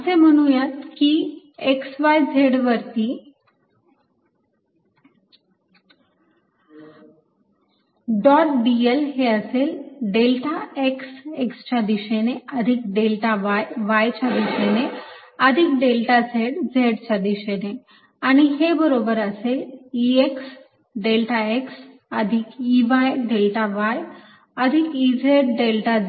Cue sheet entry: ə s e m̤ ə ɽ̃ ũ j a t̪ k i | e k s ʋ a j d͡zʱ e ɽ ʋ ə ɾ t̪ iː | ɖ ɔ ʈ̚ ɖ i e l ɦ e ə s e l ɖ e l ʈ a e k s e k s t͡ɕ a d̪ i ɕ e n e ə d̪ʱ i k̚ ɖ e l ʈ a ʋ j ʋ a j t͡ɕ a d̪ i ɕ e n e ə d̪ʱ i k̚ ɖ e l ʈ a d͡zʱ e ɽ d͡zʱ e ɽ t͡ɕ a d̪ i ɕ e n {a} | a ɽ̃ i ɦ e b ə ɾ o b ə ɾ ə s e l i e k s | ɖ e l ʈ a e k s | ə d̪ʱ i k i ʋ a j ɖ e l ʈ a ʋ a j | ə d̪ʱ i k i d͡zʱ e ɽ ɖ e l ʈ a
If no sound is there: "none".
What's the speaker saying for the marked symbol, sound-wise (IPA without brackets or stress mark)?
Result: e